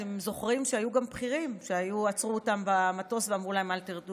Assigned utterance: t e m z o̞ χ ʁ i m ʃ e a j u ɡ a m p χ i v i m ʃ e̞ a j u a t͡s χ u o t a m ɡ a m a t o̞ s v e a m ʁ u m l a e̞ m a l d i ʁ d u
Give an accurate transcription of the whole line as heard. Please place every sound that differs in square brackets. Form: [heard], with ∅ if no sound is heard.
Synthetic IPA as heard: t e m z o̞ χ ʁ i m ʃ e a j u ɡ a m p χ i [ʁ] i m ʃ e̞ a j u a t͡s [ʁ] u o t a m [b] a m a t o̞ s v e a m ʁ u [∅] l a e̞ m a l [t] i ʁ d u